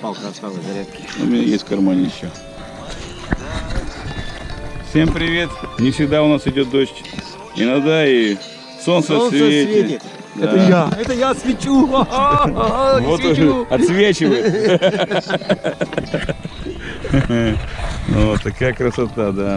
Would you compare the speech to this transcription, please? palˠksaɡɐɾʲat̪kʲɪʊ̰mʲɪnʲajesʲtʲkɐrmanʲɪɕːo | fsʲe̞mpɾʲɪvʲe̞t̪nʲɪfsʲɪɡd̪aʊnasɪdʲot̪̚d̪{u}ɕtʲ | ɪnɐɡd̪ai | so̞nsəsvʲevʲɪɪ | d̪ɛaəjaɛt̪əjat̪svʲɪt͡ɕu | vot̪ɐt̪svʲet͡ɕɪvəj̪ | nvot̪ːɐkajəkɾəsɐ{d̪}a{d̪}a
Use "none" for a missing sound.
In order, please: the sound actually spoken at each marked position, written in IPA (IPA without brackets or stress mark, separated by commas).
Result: o, t̪, d̪